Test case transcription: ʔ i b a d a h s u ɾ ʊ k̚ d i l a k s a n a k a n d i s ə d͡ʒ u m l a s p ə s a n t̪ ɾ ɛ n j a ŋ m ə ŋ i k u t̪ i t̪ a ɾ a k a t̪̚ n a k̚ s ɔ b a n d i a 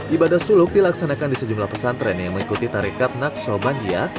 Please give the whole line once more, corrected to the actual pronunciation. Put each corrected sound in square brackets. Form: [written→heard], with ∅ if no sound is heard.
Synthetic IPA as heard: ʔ i b a d a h s u [ɾ→l] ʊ k̚ d i l a k s a n a k a n d i s ə d͡ʒ u m l a [s→h] p ə s a n t̪ ɾ ɛ n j a ŋ m ə ŋ i k u t̪ i t̪ a ɾ [a→i] k a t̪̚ n a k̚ s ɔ b a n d i a